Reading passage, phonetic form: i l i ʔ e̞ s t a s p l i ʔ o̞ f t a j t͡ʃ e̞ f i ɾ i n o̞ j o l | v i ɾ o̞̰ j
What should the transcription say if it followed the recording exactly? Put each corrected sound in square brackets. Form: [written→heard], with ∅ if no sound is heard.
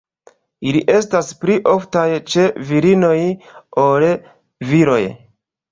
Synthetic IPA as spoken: i l i ʔ e̞ s t a s p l i ʔ o̞ f t a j t͡ʃ e̞ [f→v] i ɾ i n o̞ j o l | v i ɾ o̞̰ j